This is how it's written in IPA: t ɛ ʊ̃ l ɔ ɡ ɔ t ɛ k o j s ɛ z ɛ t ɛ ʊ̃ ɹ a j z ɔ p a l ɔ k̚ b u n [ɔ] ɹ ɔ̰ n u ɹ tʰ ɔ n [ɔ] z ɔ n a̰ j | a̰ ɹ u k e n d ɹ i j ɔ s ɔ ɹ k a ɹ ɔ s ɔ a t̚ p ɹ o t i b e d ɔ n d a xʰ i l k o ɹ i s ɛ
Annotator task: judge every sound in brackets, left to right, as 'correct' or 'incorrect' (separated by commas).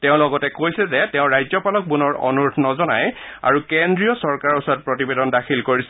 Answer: correct, correct